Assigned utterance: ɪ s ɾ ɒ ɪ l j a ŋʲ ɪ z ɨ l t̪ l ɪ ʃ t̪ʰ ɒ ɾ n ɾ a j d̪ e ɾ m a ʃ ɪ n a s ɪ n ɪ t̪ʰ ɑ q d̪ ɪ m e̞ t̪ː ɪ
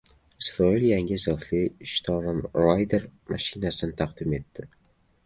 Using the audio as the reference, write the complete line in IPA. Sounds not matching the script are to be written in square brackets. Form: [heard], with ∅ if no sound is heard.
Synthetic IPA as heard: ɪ s ɾ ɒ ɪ l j a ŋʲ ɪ z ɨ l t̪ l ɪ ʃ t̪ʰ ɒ ɾ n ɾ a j d̪ e ɾ m a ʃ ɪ n a s ɪ n ɪ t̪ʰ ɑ q d̪ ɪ m e̞ t̪ː ɪ